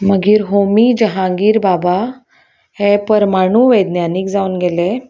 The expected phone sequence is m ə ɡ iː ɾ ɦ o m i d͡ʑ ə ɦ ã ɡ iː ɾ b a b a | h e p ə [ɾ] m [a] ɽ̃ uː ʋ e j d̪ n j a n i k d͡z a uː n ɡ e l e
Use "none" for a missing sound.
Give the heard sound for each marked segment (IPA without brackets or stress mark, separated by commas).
ɾ, a